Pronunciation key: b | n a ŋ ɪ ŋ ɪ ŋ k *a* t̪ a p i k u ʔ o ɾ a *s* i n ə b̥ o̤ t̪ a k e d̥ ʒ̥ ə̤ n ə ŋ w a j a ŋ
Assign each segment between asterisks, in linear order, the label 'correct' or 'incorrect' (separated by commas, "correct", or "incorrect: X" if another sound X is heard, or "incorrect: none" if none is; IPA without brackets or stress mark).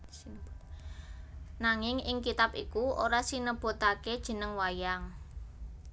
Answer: incorrect: i, correct